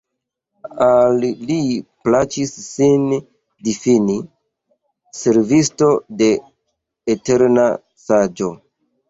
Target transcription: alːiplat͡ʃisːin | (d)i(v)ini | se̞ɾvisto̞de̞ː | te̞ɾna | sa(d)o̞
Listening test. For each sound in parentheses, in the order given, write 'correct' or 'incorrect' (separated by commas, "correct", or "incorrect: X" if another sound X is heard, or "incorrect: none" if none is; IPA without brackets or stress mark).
correct, incorrect: f, incorrect: d͡ʒ